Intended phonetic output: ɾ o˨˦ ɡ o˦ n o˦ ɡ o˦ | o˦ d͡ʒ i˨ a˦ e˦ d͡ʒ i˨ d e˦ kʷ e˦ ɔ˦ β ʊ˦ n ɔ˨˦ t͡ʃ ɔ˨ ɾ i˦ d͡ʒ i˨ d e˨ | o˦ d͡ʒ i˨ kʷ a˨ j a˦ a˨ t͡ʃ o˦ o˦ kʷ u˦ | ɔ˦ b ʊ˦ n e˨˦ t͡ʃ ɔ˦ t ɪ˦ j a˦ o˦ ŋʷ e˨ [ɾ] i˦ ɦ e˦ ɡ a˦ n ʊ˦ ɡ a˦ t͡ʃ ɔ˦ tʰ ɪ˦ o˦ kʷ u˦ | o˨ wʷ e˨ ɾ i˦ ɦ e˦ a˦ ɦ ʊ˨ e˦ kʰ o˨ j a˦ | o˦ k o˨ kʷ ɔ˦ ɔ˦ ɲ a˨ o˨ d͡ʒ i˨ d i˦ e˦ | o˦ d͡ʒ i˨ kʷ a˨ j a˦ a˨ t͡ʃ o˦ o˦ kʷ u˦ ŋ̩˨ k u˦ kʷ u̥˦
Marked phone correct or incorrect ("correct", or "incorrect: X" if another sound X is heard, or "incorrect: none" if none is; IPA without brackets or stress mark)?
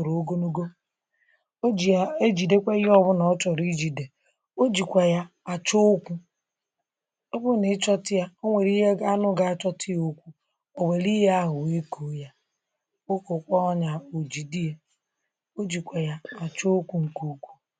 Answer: correct